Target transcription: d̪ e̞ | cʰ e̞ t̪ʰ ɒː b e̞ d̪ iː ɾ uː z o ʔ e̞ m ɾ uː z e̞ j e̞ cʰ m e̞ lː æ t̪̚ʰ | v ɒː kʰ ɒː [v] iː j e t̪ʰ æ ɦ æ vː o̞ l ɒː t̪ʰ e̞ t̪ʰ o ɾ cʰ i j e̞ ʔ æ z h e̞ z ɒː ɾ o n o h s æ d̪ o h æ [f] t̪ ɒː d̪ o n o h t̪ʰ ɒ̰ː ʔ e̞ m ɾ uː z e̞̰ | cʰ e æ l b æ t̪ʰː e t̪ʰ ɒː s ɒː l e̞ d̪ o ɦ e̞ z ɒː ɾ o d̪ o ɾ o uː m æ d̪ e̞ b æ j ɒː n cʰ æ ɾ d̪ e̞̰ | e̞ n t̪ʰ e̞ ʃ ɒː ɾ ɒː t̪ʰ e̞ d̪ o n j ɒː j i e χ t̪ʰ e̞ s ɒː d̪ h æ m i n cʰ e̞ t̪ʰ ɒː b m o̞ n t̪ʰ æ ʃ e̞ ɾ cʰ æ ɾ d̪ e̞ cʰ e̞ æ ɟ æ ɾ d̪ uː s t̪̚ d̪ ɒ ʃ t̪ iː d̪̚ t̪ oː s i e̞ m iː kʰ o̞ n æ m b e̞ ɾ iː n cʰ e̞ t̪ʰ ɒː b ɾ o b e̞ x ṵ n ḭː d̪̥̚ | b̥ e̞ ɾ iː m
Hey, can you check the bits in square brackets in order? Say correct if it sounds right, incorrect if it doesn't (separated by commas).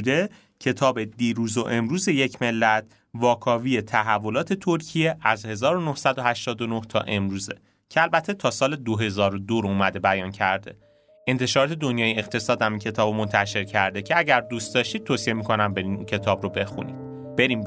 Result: correct, incorrect